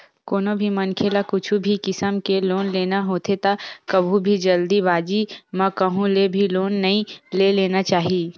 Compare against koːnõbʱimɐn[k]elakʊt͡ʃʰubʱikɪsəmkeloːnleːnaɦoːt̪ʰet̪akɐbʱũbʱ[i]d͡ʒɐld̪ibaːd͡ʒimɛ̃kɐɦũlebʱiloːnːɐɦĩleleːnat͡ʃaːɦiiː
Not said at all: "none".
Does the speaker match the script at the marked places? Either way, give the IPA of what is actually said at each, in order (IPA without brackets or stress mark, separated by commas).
kʰ, i